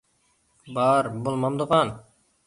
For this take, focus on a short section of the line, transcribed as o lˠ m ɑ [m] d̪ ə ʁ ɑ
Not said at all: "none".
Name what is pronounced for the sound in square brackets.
m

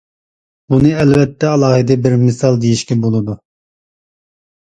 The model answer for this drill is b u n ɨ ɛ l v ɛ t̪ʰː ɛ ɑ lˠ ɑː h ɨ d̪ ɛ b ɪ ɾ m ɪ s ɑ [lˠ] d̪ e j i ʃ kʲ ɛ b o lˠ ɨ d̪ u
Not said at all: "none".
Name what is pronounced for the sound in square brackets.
lˠ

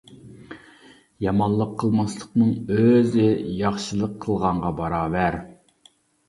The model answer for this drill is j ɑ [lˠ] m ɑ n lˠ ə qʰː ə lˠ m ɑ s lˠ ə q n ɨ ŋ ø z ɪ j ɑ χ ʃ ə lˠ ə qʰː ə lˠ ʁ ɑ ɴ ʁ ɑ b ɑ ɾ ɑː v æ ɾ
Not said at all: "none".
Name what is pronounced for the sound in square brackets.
none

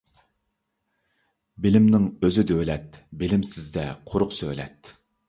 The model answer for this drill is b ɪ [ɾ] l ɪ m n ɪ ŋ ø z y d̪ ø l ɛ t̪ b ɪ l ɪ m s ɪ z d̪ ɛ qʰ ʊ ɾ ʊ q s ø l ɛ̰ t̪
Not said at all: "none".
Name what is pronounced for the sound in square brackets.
none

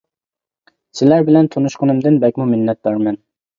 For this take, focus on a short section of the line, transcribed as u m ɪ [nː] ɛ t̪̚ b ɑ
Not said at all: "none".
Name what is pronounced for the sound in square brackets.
nː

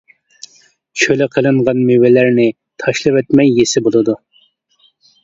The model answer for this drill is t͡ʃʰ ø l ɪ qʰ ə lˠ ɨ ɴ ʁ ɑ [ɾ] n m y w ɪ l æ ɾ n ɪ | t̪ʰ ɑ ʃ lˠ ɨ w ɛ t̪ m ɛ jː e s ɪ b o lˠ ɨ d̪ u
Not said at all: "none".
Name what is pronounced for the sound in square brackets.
none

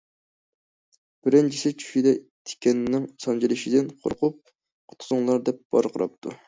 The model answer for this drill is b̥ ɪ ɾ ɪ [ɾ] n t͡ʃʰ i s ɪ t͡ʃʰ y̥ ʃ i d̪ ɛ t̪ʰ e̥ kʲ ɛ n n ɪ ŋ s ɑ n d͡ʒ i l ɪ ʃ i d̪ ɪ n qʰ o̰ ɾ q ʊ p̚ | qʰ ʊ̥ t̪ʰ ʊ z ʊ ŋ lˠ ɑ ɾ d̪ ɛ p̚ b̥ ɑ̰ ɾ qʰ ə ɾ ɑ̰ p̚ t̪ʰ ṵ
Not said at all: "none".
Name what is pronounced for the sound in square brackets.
none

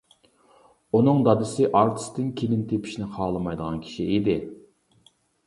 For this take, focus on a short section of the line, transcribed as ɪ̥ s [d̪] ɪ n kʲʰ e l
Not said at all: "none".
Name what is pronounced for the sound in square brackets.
t̪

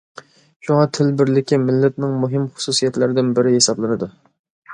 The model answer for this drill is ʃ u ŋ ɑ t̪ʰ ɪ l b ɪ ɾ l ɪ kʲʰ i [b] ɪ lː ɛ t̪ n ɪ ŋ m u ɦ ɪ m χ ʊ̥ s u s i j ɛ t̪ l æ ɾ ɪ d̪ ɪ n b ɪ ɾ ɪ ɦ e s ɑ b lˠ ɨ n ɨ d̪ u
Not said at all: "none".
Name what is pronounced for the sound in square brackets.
m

